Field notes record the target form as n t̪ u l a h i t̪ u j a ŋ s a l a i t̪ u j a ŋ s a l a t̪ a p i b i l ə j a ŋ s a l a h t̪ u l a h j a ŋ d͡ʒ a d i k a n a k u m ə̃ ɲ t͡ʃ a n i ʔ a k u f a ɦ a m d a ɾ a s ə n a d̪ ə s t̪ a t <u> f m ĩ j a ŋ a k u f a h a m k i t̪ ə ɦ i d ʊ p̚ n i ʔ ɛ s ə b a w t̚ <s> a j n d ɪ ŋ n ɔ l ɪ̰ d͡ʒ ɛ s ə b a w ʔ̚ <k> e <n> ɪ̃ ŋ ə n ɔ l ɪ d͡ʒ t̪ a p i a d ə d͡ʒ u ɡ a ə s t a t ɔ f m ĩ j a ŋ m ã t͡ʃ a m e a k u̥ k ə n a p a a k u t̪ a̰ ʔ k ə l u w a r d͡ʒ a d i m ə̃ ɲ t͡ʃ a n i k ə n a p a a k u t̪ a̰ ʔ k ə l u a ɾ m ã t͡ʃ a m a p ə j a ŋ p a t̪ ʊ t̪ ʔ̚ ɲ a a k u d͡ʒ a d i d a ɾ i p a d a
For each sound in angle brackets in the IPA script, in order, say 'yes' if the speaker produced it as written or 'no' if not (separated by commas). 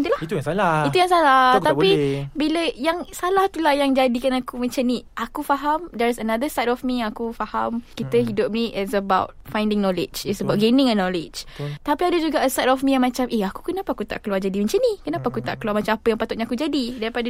no, no, no, yes